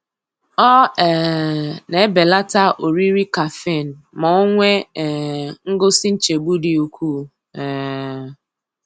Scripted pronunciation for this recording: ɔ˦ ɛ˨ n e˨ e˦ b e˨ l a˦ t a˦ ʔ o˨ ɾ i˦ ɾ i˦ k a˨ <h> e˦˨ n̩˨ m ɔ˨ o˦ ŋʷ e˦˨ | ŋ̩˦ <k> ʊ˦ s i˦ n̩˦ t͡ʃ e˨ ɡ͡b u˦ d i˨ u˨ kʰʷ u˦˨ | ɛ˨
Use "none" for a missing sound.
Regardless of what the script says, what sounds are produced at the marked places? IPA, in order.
f, ɡ

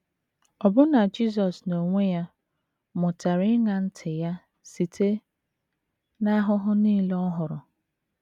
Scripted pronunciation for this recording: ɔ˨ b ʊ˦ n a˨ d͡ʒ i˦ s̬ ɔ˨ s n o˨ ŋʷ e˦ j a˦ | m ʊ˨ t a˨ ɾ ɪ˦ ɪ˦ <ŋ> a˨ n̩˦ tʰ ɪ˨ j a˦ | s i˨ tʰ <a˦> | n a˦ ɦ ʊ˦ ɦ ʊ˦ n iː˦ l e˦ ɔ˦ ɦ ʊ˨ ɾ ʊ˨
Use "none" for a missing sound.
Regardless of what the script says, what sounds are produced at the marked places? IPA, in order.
ŋ, e˦

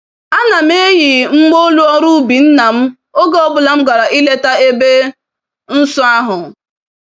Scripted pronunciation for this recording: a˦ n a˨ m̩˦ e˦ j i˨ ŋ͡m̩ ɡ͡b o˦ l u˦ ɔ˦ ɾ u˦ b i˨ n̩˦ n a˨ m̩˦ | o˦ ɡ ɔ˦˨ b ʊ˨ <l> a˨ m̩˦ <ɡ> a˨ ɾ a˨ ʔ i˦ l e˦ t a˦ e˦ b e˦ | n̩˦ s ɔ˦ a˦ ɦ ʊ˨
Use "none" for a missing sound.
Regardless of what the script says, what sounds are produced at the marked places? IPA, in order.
l, ɡ

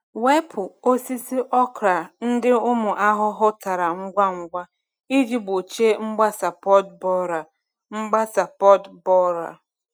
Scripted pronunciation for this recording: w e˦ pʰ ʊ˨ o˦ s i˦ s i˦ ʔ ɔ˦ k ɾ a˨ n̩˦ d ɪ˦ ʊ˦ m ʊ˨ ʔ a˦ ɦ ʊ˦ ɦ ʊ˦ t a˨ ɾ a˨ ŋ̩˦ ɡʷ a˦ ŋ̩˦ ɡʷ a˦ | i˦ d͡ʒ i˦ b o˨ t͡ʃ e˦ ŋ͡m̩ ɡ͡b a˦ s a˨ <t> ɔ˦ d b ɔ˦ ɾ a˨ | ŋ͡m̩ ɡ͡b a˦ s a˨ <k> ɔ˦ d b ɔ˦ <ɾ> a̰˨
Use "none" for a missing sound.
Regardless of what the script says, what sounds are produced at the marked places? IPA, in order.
p, p, ɾ

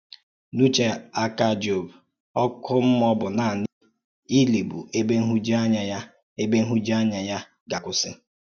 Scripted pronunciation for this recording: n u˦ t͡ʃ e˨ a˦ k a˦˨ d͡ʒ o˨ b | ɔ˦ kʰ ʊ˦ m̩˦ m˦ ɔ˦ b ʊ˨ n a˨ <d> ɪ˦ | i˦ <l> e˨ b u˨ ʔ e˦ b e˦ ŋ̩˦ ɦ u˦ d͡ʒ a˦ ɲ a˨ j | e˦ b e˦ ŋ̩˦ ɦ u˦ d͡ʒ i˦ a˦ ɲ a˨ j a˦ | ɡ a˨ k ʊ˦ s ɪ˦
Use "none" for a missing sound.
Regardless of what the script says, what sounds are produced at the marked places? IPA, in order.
n, l

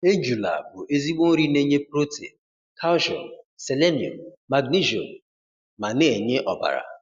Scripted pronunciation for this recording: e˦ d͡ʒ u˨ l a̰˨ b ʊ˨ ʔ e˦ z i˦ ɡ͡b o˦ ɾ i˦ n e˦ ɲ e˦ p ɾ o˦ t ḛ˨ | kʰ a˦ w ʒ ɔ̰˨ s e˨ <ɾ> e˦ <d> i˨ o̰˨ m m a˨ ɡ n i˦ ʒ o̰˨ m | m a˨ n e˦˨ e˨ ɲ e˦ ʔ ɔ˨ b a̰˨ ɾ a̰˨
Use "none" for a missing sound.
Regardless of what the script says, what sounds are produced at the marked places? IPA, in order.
l, n

